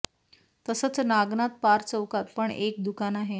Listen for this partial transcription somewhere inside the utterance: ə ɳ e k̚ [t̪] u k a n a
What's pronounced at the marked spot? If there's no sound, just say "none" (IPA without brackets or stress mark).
d̪